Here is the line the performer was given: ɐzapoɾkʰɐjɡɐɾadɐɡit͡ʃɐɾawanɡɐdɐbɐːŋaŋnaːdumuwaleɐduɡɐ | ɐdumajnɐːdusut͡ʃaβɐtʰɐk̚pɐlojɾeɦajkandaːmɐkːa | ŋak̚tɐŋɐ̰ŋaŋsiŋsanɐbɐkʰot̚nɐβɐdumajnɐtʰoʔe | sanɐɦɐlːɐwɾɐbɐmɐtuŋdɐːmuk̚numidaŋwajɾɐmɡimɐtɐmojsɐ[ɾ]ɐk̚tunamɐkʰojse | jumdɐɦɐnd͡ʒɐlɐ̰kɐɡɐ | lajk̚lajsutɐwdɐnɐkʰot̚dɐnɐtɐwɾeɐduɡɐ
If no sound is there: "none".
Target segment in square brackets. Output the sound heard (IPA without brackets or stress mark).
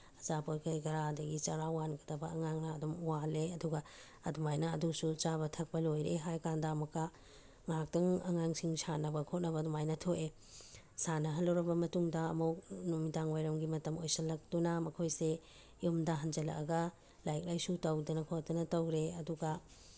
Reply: l